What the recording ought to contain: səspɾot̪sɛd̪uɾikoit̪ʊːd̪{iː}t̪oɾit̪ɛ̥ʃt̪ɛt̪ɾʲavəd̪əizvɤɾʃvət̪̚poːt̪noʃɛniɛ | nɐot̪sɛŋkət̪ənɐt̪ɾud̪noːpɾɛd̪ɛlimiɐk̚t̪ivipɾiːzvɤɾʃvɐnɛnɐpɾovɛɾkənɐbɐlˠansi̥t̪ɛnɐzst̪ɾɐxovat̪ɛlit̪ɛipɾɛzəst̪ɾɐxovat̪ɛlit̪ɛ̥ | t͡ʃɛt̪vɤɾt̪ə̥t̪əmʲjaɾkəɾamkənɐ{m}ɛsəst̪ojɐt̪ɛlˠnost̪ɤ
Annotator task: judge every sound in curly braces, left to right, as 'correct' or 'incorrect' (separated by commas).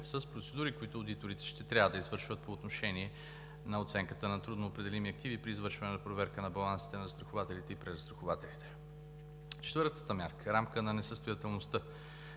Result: incorrect, incorrect